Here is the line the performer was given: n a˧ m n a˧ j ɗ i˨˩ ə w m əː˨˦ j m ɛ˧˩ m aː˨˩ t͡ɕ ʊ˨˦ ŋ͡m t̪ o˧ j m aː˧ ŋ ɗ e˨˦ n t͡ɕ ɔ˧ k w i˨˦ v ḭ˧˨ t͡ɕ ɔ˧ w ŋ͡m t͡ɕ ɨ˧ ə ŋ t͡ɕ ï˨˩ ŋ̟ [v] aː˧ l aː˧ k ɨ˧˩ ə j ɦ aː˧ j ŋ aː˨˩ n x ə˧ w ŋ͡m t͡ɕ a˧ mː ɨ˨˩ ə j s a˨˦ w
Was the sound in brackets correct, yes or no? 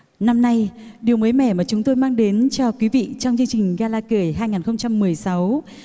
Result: no